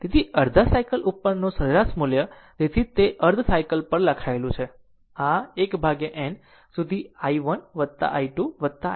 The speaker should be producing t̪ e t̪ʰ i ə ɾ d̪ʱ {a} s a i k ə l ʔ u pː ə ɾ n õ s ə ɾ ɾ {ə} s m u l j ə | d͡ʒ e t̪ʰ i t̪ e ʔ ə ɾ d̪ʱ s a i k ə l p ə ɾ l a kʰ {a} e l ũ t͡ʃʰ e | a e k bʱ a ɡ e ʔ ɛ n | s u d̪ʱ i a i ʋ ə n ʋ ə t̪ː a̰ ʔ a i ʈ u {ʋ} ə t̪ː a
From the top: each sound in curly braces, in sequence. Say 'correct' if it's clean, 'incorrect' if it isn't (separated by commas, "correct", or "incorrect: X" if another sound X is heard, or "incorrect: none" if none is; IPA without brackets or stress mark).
correct, incorrect: a, correct, correct